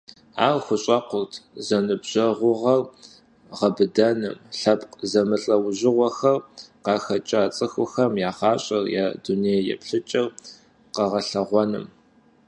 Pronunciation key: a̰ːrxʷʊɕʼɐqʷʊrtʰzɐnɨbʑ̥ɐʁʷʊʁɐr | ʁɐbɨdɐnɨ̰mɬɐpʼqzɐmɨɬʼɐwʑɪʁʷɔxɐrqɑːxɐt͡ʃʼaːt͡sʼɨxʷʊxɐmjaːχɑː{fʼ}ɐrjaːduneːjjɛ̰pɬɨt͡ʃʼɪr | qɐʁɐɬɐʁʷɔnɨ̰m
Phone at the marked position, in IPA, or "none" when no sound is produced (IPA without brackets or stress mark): ɕʼ